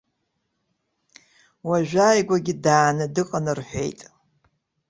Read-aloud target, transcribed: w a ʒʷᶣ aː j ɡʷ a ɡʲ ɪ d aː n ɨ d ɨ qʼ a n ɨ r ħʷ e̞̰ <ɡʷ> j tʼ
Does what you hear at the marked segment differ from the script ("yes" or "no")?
yes